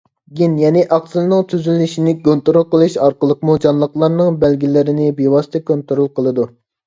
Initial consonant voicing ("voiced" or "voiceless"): voiced